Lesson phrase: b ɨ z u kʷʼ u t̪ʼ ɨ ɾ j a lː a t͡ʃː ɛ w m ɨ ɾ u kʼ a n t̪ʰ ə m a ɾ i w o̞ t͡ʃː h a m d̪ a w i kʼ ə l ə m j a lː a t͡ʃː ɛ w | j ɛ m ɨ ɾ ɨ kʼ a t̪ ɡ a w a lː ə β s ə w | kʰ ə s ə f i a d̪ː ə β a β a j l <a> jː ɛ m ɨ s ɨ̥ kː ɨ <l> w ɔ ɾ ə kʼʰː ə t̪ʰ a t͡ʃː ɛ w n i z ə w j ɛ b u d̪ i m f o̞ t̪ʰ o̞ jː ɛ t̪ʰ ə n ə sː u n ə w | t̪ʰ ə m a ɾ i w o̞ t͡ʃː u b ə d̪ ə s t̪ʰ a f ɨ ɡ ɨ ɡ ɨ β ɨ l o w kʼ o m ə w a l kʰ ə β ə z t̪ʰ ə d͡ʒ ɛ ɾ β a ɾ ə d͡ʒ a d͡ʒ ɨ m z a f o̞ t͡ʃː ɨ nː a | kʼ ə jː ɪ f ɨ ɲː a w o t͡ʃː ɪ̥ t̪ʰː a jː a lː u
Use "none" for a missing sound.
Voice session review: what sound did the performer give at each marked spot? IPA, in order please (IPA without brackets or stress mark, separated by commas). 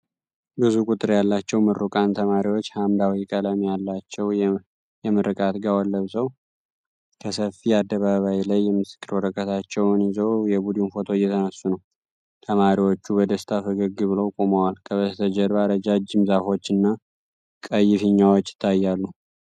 a, ɾ